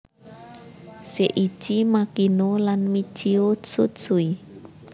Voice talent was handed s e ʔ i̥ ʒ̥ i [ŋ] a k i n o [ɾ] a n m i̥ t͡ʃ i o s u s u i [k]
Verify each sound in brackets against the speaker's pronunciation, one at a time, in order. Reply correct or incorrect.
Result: incorrect: m, incorrect: l, incorrect: none

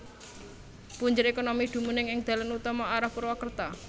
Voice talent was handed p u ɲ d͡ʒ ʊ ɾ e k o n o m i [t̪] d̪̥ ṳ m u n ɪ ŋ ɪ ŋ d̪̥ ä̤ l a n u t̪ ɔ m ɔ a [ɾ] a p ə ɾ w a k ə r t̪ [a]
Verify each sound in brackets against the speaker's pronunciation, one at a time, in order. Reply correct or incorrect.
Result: incorrect: none, correct, correct

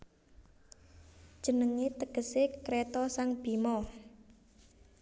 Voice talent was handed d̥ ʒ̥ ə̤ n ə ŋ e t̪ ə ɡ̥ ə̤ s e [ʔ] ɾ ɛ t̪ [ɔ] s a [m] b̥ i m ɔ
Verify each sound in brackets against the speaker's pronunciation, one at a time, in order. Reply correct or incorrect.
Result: incorrect: k, correct, incorrect: ŋ

